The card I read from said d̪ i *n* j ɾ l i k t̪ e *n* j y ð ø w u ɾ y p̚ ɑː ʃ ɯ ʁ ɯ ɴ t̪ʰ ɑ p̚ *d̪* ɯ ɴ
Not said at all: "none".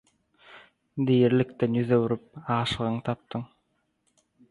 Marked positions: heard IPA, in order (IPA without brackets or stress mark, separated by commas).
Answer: none, n, t̪